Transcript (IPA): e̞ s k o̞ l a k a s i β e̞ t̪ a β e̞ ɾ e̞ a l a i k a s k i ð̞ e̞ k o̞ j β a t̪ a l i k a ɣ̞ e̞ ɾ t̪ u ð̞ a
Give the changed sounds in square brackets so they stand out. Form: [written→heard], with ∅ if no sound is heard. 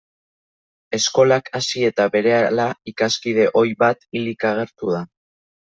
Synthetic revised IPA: e̞ s k o̞ l a k a s i [β→∅] e̞ t̪ a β e̞ ɾ e̞ a l a i k a s k i ð̞ e̞ [k→ʔ] o̞ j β a t̪ [a→i] l i k a ɣ̞ e̞ ɾ t̪ u ð̞ a